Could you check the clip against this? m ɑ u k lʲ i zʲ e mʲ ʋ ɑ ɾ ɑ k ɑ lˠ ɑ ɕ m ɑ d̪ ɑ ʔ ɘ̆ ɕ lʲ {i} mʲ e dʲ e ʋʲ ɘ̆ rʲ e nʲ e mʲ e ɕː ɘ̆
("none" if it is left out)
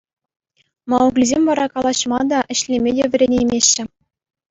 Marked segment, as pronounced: e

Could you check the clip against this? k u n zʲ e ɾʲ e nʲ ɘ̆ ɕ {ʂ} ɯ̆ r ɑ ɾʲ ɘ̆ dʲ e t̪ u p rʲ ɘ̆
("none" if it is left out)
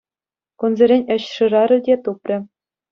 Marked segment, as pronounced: ʂ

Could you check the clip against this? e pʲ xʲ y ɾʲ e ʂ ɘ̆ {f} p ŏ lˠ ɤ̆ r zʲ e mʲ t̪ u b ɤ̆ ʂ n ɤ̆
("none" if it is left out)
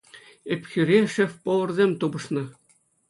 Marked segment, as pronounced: f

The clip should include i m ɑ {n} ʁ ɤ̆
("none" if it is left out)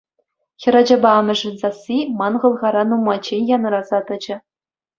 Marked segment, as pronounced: n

